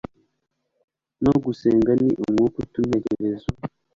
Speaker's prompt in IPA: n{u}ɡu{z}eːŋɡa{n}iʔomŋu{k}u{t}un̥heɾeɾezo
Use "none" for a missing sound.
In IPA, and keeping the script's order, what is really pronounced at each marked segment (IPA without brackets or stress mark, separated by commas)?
o, s, n, k, t